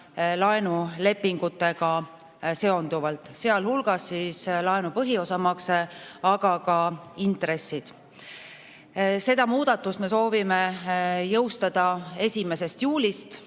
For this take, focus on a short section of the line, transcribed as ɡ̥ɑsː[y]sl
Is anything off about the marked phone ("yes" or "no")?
yes